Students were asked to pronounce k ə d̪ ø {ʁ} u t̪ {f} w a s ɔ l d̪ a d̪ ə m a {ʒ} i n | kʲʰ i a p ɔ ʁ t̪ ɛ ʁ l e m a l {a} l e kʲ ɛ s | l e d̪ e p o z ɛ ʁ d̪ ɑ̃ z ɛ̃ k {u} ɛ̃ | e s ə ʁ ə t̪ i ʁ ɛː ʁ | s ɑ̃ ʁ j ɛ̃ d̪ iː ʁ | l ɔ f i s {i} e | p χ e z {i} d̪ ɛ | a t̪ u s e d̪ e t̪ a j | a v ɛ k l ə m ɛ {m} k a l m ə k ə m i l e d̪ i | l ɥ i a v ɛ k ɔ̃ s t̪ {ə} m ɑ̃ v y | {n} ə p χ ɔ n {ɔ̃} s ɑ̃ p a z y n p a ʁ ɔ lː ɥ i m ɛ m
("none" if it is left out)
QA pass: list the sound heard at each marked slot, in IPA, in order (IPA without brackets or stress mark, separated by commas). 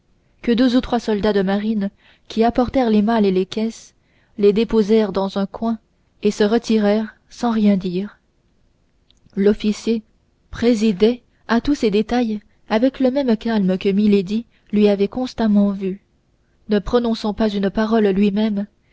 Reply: z, χ, ʁ, e, w, j, i, m, a, n, ɔ̃